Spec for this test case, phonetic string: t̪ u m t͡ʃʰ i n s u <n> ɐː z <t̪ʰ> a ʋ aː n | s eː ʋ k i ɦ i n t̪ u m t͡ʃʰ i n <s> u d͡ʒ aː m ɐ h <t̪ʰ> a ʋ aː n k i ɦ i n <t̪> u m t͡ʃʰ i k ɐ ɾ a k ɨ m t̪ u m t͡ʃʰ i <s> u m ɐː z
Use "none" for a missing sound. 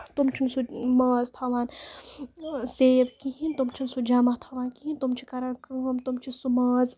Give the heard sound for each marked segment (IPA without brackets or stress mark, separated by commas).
m, t̪ʰ, s, t̪ʰ, t̪, s